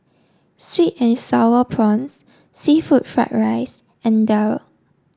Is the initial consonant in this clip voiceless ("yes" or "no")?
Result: yes